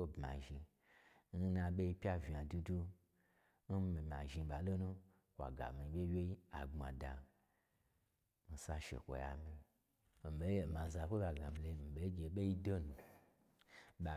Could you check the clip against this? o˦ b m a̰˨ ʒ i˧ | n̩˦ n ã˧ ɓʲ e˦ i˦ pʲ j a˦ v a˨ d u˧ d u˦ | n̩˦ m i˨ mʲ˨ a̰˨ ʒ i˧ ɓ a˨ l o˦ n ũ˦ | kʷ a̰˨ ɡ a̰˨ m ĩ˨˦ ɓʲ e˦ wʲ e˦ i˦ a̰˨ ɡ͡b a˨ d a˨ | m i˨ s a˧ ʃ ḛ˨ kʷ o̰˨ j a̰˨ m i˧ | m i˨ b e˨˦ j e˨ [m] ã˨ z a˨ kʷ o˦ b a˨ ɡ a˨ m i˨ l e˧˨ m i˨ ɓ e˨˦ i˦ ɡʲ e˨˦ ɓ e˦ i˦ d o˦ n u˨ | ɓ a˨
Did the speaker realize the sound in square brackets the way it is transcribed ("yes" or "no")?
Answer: yes